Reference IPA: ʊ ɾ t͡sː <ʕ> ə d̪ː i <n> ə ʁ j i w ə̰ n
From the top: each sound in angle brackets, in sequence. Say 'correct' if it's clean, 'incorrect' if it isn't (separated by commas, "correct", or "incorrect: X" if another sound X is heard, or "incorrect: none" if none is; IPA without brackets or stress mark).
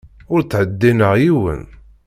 correct, correct